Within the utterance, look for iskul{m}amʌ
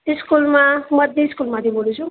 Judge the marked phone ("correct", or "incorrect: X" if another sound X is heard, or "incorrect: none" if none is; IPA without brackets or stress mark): correct